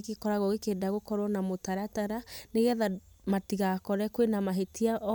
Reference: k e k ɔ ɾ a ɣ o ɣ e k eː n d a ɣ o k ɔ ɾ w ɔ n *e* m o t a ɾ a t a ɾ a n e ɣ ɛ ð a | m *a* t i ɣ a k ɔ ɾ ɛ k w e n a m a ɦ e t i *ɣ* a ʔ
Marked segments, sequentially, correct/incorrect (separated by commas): incorrect, correct, incorrect